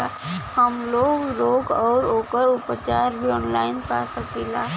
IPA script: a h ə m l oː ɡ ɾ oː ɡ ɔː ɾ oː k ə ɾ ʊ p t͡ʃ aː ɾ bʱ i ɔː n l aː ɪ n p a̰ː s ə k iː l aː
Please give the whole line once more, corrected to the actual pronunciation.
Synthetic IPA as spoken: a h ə m l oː ɡ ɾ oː ɡ ɔː ɾ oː k ə ɾ ʊ p t͡ʃ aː ɾ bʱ i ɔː n l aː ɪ n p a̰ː s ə k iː l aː

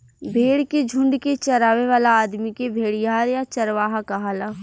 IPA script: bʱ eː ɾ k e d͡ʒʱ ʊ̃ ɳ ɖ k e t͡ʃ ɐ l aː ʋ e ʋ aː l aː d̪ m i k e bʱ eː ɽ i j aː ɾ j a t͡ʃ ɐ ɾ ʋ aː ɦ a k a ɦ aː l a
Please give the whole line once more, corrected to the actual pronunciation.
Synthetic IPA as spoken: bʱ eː ɽ k e d͡ʒʱ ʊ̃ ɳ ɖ k e t͡ʃ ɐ ɾ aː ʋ e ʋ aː l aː d̪ m i k e bʱ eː ɽ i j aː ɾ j a t͡ʃ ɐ ɾ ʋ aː ɦ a k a ɦ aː l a

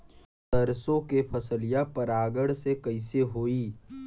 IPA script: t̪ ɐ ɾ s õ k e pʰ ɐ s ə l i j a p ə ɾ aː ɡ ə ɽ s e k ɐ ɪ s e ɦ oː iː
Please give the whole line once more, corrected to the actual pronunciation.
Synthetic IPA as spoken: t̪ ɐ ɾ s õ k e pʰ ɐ s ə l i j a p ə ɾ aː ɡ ə ɽ s e k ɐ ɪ s e ɦ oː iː

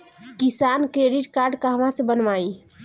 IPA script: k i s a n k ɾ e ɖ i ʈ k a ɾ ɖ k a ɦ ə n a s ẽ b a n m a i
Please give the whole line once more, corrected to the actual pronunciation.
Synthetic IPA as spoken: k i s a n k ɾ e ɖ i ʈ k a ɾ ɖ k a ɦ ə m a s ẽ b ə n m a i

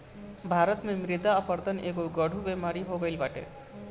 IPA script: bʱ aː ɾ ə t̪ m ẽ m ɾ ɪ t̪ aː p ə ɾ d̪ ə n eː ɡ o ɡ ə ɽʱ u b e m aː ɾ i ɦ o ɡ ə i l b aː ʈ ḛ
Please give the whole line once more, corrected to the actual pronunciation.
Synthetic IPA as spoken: bʱ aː ɾ ə t̪ m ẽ m ɾ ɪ d̪ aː p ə ɾ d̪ ə n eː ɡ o ɡ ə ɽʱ u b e m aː ɾ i ɦ o ɡ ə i l b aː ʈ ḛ

